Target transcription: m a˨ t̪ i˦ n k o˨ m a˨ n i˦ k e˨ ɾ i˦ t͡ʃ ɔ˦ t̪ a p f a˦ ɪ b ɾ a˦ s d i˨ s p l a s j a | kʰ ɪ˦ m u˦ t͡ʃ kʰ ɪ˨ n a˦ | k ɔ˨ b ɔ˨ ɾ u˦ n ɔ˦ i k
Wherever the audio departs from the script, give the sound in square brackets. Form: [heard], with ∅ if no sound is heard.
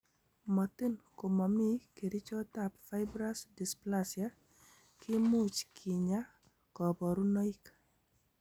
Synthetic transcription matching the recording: m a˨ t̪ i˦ n k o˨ m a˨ [m] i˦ k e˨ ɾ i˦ t͡ʃ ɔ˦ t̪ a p f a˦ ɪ b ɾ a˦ s d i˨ s p l a s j a | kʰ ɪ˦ m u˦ t͡ʃ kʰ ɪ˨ [ɲ] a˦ | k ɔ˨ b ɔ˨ ɾ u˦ n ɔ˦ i k